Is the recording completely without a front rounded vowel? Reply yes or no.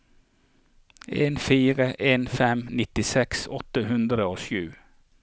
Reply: yes